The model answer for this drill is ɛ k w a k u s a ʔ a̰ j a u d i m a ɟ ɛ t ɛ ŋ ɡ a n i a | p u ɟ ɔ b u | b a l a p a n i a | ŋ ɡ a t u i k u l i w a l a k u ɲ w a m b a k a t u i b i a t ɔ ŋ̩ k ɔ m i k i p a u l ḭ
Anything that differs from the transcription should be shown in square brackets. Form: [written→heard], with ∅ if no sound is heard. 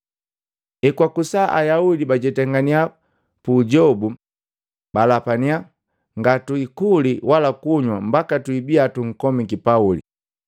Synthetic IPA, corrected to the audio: ɛ k w a k u s a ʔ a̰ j a u d i [m→b] a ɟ ɛ t ɛ ŋ ɡ a n i a | p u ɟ ɔ b u | b a l a p a n i a | ŋ ɡ a t u i k u l i w a l a k u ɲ w a m b a k a t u i b i a t [ɔ→u] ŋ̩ k ɔ m i k i p a u l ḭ